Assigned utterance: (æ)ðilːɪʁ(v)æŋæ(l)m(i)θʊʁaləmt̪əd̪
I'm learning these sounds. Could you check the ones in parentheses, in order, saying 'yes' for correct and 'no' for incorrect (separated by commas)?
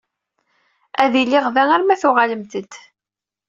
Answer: yes, yes, no, no